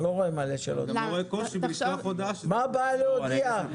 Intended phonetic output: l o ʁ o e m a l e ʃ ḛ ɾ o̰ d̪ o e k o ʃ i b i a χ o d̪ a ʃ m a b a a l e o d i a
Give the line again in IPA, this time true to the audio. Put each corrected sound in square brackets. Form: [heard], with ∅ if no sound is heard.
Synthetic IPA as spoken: l o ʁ o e m a l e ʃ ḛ [l] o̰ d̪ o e k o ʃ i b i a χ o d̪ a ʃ m a b a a l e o d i a